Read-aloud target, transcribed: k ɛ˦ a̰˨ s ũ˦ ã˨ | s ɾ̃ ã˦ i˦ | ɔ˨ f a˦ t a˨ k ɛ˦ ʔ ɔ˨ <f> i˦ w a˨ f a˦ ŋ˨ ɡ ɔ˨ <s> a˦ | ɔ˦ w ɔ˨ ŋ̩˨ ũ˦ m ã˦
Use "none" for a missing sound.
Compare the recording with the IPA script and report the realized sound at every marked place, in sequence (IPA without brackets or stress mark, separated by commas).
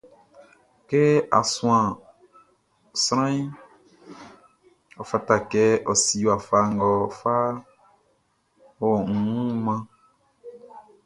s, f